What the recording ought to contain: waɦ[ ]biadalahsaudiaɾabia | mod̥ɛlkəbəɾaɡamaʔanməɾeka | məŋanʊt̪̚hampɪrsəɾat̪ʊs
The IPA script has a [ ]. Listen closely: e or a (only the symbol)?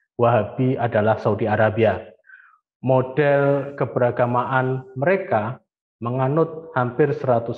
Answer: a